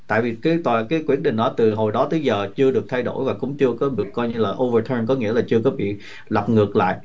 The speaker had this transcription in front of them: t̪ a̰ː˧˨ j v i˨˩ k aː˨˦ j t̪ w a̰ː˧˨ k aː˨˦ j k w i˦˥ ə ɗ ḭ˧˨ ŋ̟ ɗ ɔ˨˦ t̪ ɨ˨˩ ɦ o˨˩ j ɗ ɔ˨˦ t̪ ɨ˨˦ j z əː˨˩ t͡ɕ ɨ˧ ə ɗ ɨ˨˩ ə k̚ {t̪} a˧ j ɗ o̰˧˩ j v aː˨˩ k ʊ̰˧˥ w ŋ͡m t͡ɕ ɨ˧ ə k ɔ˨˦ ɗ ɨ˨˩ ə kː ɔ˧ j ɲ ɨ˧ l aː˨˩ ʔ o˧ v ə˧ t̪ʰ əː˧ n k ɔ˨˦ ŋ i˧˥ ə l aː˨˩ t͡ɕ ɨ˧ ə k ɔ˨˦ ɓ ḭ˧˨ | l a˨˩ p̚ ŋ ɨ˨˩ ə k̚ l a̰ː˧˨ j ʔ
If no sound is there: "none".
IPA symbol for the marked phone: t̪ʰ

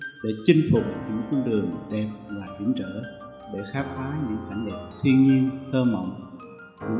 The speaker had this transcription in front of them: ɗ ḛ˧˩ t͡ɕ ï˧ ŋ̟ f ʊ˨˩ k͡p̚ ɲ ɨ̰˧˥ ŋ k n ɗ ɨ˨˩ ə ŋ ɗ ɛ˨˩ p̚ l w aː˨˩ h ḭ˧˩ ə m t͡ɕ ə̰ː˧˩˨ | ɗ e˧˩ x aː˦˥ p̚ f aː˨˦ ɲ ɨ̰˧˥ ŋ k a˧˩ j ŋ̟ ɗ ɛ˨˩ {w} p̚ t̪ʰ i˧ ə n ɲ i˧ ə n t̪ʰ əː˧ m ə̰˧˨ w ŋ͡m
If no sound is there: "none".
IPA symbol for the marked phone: none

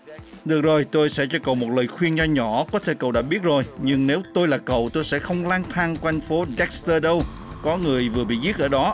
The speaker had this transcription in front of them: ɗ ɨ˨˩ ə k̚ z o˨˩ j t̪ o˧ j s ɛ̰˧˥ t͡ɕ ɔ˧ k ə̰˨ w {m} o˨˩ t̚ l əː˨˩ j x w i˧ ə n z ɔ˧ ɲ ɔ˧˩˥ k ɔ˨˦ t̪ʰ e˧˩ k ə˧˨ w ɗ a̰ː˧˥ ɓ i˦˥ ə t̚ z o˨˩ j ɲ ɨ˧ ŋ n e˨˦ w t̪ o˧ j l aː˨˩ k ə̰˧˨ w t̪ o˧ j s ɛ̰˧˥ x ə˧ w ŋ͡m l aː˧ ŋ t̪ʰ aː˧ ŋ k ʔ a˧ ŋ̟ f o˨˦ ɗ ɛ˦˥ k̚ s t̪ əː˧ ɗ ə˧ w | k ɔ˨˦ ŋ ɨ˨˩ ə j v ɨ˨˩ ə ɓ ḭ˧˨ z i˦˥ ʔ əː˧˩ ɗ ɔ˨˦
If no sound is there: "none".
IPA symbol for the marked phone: m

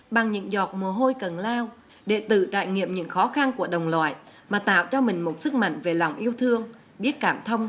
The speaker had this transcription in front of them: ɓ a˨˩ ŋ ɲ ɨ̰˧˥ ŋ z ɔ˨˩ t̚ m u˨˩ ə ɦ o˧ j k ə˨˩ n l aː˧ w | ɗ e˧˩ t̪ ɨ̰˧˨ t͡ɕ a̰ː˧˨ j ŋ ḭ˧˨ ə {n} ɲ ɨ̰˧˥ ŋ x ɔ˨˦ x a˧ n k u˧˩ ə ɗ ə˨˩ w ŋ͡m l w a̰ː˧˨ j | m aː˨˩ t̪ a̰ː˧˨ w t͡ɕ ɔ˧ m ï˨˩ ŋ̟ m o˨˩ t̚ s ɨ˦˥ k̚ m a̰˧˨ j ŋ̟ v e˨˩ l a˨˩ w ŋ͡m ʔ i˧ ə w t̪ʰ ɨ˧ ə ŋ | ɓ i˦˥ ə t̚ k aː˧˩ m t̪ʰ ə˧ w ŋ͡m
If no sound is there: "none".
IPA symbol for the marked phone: m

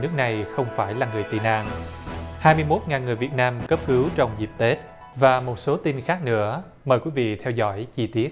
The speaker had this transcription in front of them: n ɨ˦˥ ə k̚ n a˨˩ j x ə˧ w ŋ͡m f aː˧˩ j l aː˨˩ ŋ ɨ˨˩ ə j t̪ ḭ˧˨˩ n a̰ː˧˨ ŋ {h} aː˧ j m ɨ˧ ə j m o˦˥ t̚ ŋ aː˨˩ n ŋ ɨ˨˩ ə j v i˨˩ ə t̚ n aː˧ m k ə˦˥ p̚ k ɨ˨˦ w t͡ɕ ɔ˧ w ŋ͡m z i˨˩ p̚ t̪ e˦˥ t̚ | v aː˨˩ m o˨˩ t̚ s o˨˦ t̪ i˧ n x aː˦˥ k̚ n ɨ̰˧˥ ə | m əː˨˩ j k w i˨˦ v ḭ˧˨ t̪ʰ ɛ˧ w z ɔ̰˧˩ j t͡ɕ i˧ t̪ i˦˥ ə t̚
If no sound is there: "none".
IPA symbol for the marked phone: h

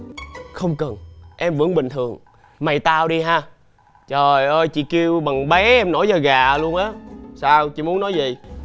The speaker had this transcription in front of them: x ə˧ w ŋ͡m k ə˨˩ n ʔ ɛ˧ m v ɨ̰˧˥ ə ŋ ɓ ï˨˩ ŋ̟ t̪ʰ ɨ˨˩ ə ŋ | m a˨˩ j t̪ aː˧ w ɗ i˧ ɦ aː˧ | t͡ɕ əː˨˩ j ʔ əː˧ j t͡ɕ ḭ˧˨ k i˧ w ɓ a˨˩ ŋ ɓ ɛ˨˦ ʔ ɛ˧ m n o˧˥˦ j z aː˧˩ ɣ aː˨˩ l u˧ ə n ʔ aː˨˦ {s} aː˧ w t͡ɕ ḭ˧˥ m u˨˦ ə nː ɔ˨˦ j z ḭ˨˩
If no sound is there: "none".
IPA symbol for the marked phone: s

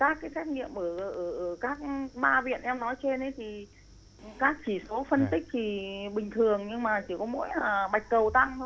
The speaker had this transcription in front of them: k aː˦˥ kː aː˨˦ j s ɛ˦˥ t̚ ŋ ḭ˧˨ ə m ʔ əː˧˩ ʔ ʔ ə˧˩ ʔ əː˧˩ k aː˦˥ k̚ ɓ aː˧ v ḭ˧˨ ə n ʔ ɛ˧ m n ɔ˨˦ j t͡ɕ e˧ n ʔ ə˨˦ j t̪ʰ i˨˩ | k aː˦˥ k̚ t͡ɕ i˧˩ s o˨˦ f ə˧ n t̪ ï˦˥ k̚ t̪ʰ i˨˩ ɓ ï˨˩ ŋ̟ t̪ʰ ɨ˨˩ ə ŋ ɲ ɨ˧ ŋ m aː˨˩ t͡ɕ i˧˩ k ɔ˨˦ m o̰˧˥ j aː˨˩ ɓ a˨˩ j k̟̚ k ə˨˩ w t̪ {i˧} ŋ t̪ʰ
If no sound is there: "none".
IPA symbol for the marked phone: a˧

